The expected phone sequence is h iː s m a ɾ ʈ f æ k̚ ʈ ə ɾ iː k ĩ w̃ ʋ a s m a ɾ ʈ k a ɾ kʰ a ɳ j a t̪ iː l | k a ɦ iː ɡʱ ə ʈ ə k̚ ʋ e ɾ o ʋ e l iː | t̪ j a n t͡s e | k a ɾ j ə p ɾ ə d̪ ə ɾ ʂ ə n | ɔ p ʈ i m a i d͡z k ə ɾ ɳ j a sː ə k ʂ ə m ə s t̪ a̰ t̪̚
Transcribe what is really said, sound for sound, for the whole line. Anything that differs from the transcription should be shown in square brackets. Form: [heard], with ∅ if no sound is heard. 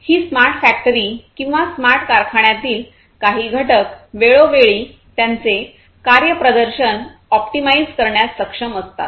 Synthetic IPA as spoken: h iː s m a ɾ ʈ f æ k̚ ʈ ə ɾ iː k ĩ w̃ ʋ a s m a ɾ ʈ k a ɾ kʰ a ɳ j a t̪ iː l | k a ɦ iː ɡʱ ə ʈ ə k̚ ʋ e [ɭ] o ʋ e [ɭ] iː | t̪ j a n t͡s e | k a ɾ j ə p ɾ ə d̪ ə ɾ [ɕ] ə n | ɔ p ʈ i m a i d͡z k ə ɾ ɳ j a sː ə k ʂ ə m ə s t̪ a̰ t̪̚